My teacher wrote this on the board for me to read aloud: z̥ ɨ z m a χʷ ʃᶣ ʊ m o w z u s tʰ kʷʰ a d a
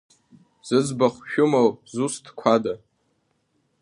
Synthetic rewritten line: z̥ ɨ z b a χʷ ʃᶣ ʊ m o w z u s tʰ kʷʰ a d a